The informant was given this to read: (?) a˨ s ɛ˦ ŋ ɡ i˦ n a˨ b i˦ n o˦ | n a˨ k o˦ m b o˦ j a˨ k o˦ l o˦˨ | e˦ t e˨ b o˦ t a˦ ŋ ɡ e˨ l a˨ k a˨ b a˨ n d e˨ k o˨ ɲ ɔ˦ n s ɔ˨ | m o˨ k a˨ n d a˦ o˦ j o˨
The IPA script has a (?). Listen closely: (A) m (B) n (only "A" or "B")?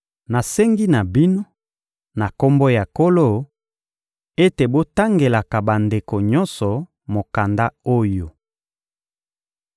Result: B